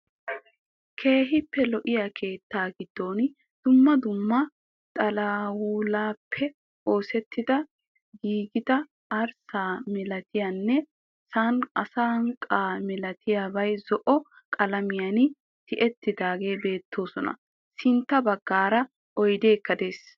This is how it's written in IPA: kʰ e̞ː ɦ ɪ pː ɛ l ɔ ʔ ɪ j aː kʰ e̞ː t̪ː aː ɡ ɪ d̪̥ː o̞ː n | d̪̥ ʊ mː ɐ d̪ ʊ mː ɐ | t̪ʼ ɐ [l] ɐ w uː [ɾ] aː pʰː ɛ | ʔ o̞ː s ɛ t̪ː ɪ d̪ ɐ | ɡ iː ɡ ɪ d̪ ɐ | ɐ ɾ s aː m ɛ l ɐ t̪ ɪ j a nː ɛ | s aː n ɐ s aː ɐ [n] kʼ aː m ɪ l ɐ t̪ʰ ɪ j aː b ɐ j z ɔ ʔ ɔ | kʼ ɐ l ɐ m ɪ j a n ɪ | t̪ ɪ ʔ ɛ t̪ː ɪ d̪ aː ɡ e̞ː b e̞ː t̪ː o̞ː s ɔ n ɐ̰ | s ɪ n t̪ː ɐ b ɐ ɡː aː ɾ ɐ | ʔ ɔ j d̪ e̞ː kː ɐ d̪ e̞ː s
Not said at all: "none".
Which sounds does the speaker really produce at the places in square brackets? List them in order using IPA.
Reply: l, l, ŋ

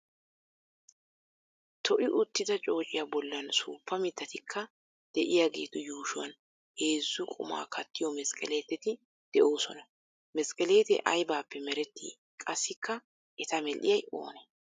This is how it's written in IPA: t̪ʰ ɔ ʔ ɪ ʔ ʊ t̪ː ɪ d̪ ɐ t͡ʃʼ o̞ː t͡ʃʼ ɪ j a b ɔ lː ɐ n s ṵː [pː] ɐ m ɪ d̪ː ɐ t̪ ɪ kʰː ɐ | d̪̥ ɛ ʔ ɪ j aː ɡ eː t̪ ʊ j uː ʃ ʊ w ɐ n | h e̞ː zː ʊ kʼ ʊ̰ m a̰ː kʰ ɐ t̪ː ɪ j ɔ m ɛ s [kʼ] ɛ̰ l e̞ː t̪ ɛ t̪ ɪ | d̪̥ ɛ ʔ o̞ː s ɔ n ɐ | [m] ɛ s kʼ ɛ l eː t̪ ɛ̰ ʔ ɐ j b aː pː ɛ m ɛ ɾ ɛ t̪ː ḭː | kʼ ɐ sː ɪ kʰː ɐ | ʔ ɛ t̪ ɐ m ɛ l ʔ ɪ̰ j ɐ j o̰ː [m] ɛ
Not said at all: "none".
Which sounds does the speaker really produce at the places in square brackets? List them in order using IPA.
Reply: pː, kʼ, m, n

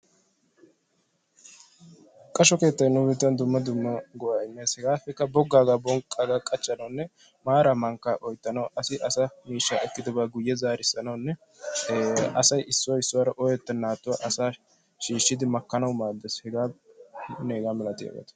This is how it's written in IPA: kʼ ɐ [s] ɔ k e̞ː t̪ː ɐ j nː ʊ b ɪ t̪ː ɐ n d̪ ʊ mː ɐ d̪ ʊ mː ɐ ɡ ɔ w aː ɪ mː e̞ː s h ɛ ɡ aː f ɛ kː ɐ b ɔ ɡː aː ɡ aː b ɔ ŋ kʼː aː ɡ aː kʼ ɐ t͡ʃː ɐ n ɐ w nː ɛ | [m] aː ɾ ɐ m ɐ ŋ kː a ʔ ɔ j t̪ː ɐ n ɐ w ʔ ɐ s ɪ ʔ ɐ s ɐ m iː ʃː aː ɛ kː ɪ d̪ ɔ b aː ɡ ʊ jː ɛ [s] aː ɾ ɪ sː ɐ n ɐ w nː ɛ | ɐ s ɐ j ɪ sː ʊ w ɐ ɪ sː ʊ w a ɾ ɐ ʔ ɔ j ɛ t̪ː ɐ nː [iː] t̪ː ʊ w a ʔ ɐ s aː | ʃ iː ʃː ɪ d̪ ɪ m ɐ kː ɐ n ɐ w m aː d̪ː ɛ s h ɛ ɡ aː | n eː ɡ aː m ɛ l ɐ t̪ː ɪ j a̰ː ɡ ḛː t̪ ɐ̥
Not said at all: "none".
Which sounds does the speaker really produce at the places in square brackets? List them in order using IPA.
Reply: ʃ, m, z, aː

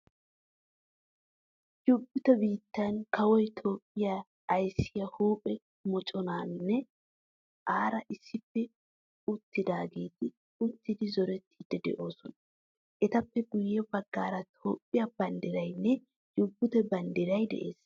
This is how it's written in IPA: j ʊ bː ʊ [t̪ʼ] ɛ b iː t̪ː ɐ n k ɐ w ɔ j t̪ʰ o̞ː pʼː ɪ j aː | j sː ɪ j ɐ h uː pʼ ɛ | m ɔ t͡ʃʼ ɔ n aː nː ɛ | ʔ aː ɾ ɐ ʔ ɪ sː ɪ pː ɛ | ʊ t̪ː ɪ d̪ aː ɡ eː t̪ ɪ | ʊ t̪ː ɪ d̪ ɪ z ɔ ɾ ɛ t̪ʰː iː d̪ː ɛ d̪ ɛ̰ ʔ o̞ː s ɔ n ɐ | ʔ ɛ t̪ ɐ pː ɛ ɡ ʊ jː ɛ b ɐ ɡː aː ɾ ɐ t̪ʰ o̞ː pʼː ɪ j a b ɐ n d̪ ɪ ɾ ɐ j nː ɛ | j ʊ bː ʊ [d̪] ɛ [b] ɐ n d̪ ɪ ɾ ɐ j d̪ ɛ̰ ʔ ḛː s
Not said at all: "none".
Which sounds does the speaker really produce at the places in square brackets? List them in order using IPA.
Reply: t̪, t̪, b

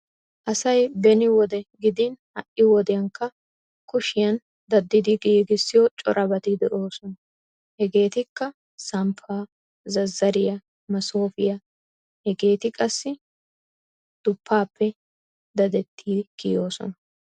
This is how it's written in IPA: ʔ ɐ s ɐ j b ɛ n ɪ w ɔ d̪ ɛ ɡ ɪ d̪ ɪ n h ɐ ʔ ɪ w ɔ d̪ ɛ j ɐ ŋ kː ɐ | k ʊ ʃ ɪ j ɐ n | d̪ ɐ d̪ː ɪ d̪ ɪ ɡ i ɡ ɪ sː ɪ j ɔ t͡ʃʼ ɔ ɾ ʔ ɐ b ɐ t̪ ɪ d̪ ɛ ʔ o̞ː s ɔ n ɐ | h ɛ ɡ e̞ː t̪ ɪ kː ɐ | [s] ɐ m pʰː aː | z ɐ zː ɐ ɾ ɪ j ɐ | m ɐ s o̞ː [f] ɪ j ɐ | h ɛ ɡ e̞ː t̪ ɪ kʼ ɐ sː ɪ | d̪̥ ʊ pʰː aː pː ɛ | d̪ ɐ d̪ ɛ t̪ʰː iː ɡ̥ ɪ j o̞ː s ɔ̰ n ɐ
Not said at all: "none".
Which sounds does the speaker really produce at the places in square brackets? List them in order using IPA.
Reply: s, f

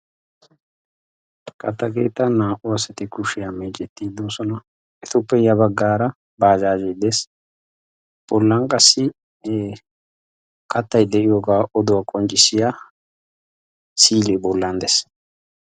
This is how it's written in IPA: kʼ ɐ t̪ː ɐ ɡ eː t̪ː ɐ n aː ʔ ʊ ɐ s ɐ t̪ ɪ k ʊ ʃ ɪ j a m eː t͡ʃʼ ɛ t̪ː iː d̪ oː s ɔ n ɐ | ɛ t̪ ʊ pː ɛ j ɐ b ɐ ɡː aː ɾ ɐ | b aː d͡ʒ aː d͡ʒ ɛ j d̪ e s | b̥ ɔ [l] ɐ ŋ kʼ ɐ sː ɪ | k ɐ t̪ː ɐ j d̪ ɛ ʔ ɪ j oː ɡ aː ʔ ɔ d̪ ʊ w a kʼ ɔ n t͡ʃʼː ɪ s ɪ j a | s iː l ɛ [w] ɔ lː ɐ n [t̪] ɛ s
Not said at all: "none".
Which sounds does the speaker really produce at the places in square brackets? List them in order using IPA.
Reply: lː, b, d̪

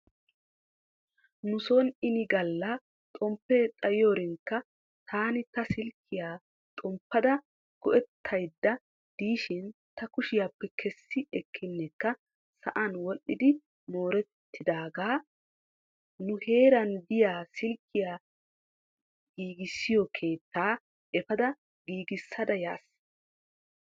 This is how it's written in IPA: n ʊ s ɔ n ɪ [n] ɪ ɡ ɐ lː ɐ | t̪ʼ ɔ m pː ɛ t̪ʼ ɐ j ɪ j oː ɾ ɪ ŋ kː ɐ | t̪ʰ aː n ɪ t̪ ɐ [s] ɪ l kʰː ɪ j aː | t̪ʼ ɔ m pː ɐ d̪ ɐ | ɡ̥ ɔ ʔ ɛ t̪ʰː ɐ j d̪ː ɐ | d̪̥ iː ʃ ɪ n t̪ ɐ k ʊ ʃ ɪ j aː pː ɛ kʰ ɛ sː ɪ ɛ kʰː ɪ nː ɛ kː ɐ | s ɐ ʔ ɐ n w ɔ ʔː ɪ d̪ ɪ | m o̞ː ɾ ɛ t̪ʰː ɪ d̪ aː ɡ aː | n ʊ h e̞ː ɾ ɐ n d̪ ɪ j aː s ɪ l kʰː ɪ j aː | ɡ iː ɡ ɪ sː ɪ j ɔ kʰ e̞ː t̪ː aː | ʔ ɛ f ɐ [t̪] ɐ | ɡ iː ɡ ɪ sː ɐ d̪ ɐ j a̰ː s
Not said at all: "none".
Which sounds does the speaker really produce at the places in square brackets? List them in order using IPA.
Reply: n, s, d̪

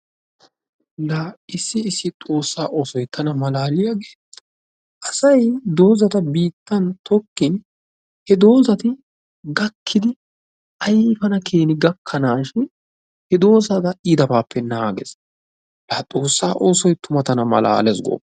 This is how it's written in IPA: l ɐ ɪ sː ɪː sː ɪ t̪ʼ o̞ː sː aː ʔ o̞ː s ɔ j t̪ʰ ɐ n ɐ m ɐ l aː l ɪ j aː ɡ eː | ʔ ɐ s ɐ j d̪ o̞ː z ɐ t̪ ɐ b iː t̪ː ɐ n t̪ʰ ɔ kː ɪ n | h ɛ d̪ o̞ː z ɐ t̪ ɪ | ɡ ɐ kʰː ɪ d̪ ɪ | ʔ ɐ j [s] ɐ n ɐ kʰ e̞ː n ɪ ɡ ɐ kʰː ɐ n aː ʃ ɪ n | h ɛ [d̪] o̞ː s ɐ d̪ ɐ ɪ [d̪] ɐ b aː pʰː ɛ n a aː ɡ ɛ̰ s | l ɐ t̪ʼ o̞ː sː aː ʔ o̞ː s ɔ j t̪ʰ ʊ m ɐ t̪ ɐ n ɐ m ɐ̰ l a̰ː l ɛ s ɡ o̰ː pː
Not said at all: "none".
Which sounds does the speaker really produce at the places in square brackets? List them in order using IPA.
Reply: f, d̪, d̪

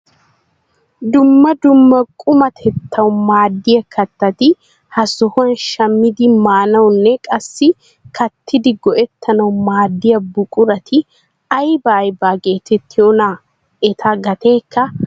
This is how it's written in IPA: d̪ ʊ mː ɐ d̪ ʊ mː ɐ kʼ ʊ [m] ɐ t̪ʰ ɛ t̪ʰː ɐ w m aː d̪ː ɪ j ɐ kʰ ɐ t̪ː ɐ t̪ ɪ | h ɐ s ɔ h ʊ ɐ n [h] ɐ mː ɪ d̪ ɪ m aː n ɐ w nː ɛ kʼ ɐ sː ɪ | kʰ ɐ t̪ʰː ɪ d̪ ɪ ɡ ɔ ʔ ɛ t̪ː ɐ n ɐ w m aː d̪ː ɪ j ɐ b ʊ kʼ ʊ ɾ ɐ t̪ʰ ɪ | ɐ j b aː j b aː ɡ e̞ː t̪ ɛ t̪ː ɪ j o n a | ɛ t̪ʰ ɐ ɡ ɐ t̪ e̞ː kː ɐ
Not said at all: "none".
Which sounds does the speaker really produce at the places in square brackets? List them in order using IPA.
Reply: m, ʃ

